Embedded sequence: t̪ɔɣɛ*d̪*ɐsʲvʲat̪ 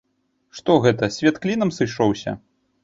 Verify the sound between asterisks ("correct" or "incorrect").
incorrect